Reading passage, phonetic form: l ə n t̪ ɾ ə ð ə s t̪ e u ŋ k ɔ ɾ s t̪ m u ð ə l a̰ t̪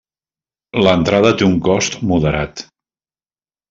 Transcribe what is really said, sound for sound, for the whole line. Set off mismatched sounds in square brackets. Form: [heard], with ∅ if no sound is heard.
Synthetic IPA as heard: l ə n t̪ ɾ [a] ð ə [∅] t̪ e u ŋ k ɔ [∅] s t̪ m u ð ə [ɾ] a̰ t̪